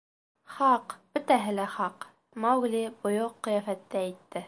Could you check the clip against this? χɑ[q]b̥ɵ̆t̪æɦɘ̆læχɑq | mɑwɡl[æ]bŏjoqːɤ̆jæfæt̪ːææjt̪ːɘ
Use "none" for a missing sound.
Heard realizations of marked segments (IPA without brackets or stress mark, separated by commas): q, i